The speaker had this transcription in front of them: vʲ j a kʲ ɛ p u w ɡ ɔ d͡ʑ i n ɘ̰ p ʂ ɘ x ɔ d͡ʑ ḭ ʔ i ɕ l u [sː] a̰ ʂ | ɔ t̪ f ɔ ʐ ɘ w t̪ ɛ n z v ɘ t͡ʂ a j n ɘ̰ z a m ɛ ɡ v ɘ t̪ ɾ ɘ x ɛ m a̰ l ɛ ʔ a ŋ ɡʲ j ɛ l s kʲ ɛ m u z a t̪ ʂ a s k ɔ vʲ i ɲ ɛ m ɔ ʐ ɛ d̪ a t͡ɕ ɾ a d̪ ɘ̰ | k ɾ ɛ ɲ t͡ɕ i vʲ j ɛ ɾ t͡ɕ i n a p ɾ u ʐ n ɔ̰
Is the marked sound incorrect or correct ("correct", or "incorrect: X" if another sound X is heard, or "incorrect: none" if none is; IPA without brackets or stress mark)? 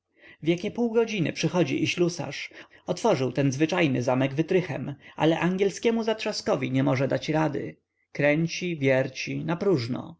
incorrect: s